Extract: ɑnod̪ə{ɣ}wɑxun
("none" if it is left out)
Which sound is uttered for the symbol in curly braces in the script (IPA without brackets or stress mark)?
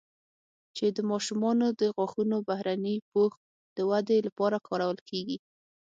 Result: ɣ